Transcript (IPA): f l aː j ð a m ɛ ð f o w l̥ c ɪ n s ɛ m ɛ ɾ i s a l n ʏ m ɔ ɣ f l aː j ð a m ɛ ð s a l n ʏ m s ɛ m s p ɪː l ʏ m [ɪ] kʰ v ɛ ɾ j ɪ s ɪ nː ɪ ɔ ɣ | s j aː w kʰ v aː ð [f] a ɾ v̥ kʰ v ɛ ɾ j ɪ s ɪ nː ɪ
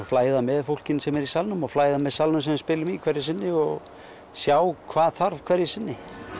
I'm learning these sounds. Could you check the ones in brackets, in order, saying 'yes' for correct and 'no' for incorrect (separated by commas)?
no, no